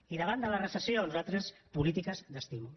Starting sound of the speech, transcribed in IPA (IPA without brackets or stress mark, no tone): i